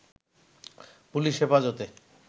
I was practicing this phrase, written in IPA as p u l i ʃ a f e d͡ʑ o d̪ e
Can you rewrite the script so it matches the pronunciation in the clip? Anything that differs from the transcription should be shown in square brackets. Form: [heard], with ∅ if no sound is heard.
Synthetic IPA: p u l i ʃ [e] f [a] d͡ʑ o [t̪] e

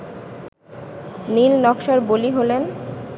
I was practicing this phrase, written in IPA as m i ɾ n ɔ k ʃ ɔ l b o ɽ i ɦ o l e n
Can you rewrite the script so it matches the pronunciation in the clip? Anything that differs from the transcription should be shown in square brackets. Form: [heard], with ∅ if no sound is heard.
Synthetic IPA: [n] i [l] n ɔ k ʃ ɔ [ɾ] b o [l] i ɦ o l e n

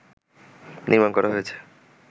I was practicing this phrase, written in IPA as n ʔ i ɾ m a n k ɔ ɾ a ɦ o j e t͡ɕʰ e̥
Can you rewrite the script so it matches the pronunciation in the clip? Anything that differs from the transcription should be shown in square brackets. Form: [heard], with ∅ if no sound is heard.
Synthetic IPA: n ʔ i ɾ m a n k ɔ ɾ a ɦ o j e t͡ɕʰ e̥

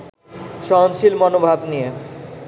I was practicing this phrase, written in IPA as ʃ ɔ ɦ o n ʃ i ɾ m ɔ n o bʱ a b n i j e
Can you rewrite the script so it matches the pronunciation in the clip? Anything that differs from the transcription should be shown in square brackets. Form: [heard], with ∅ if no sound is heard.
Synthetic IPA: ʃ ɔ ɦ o n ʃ i [l] m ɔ n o bʱ a b n i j e

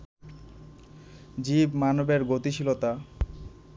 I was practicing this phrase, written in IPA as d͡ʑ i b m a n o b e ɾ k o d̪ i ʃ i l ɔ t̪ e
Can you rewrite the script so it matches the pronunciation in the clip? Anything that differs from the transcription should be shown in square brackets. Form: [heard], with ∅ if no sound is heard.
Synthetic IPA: d͡ʑ i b m a n o b e ɾ [ɡ] o [t̪] i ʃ i l [o] t̪ [a]

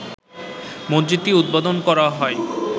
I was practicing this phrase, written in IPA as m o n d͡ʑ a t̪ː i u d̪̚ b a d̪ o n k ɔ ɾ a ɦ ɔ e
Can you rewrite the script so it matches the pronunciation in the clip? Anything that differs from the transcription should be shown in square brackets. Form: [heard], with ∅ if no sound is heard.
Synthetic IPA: m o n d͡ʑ [i] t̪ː i u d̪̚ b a d̪ o n k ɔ ɾ a ɦ ɔ e

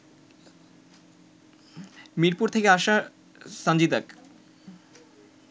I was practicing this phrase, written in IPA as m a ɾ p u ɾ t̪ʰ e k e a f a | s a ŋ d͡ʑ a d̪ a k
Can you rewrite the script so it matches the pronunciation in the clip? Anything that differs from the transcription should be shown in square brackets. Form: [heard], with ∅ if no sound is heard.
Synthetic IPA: m [i] ɾ p u ɾ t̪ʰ e k e a [ʃ] a | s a [n] d͡ʑ [i] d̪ a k

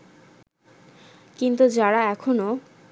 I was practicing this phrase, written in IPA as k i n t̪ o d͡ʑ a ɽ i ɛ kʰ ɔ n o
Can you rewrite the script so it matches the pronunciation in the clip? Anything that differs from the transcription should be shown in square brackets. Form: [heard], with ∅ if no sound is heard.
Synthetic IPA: k i n t̪ [u] d͡ʑ a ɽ [a] ɛ kʰ [o] n o

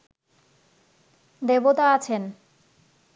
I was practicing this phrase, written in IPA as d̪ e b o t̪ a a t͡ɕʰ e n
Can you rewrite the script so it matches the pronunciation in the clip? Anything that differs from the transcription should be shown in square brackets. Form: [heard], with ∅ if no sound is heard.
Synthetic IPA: d̪ e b o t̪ a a t͡ɕʰ e n

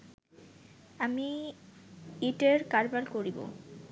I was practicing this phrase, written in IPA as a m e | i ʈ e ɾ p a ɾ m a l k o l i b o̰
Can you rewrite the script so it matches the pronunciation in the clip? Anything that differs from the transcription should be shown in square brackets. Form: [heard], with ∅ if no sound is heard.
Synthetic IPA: a m [i] | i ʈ e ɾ [k] a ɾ [b] a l k o [ɾ] i b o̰

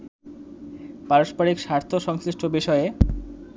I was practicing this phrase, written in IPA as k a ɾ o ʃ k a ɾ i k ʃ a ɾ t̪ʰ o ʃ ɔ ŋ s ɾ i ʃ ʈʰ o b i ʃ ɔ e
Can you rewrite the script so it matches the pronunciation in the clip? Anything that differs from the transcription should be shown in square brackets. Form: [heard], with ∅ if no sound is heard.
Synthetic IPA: [p] a ɾ o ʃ [p] a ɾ i k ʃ a ɾ t̪ʰ o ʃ ɔ ŋ s ɾ i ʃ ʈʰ o b i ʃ ɔ e

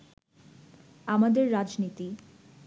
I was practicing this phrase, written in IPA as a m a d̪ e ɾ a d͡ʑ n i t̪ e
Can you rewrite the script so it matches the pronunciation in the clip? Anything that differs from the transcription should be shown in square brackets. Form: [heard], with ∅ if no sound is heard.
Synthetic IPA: a m a d̪ e [ɾː] a d͡ʑ n i t̪ [i]

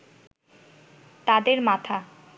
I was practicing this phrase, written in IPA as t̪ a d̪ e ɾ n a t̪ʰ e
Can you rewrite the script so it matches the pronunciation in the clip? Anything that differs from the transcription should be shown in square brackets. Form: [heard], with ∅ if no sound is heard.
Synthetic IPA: t̪ a d̪ e ɾ [m] a t̪ʰ [a]

